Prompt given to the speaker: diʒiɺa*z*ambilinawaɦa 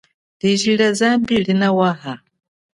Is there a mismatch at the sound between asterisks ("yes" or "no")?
no